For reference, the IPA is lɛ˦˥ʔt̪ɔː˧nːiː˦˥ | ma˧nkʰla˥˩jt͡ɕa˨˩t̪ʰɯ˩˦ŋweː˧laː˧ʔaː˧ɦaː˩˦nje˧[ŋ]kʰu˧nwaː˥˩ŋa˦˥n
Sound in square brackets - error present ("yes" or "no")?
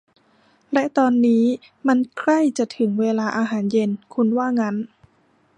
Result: yes